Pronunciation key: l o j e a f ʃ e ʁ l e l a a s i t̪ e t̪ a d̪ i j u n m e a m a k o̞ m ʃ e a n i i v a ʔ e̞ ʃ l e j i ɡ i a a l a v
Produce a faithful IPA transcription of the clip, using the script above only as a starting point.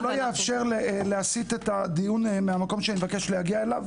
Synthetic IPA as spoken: l o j e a f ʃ e ʁ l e l e a s i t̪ e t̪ a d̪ i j u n m e a m a k o̞ m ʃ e a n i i v a k e̞ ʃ l e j a ɡ i a e l a v